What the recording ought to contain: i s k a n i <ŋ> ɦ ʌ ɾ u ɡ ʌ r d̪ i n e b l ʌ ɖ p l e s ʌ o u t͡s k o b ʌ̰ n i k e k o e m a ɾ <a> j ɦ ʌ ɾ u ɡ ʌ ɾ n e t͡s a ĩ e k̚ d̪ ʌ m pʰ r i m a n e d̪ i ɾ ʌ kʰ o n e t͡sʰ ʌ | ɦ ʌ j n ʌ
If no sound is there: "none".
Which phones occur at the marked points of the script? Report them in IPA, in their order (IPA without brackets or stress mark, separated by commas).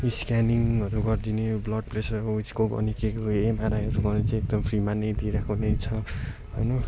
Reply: ŋ, a